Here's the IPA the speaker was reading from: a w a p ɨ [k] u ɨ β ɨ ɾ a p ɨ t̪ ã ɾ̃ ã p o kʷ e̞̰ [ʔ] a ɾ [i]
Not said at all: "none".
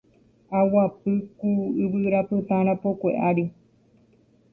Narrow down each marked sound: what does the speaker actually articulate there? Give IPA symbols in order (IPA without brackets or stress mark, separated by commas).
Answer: k, ʔ, i